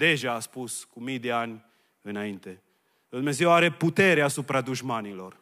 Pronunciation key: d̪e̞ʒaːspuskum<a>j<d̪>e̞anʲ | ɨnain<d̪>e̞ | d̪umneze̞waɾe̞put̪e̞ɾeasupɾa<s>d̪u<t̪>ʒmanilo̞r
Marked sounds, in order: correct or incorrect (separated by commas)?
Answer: incorrect, correct, incorrect, incorrect, incorrect